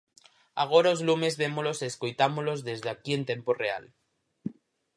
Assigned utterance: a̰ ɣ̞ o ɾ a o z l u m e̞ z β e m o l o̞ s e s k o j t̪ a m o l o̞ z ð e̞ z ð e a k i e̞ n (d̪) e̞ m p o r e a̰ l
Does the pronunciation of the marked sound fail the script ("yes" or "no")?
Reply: yes